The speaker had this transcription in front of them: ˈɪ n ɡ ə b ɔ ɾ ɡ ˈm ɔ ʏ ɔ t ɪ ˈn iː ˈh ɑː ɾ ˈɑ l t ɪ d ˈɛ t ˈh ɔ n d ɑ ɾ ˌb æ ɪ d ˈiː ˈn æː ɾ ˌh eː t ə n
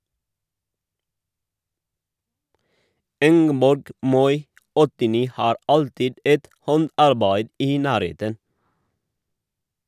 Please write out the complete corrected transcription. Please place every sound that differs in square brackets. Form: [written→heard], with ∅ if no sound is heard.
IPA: ˈɪ [n→ŋ] ɡ ə b ɔ ɾ ɡ ˈm ɔ ʏ ɔ t ɪ ˈn iː ˈh ɑː ɾ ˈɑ l t ɪ d ˈɛ t ˈh ɔ n d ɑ ɾ ˌb æ ɪ d ˈiː ˈn æː ɾ ˌh eː t ə n